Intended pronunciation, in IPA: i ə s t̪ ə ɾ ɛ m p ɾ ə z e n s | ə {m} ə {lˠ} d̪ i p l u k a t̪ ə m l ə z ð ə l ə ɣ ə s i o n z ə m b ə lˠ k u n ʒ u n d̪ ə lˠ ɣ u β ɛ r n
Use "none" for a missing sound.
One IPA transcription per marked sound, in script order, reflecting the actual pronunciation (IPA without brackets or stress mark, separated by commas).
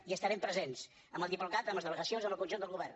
m, lˠ